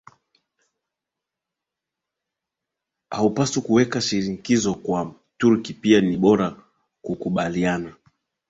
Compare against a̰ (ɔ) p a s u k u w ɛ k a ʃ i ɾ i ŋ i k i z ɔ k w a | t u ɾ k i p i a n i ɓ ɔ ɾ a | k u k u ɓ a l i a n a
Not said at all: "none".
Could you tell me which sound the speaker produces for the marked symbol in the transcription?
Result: u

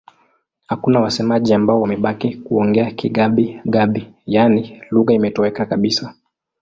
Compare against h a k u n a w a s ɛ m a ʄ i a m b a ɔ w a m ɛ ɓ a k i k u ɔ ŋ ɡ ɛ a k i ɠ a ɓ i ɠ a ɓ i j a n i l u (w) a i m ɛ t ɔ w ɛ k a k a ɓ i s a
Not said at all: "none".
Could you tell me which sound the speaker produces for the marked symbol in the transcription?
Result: ɣ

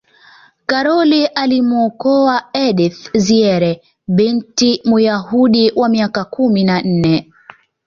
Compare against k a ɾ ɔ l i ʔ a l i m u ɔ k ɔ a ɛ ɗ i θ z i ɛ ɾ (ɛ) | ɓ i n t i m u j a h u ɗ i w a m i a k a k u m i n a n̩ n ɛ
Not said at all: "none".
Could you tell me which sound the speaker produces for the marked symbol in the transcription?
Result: ɛ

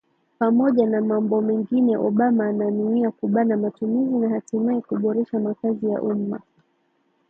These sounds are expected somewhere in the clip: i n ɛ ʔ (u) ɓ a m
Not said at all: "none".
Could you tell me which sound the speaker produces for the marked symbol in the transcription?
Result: ɔ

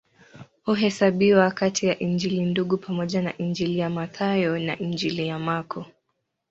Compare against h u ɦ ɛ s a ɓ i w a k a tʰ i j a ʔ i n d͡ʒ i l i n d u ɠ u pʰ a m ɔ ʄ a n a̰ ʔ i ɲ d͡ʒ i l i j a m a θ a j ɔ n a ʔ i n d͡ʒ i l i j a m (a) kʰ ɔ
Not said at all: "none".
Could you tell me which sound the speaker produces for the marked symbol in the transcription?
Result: a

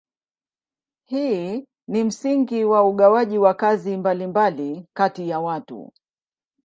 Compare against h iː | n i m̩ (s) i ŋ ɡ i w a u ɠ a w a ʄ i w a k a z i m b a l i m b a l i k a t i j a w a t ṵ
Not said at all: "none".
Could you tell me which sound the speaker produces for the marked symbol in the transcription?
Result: s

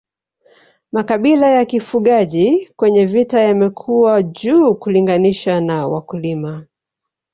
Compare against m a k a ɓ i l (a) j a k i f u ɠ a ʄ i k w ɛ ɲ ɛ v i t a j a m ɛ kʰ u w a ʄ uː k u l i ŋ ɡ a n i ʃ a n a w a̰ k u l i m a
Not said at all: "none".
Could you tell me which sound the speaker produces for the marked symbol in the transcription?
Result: a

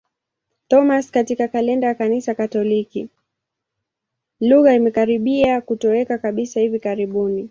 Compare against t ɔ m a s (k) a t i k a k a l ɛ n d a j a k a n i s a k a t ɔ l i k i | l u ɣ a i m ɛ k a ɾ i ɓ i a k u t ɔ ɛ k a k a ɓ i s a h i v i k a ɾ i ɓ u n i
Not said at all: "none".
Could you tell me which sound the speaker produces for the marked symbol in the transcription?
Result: k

